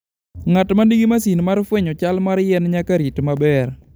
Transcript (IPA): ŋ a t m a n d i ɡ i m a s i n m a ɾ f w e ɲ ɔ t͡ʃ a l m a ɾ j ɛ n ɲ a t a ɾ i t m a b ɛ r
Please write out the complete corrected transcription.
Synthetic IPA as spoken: ŋ a t m a n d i ɡ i m a s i n m a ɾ f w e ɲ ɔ t͡ʃ a l m a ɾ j ɛ n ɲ a k a ɾ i t m a b ɛ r